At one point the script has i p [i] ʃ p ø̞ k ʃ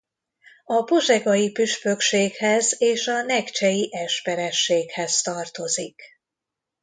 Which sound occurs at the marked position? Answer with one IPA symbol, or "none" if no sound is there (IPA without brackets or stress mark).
y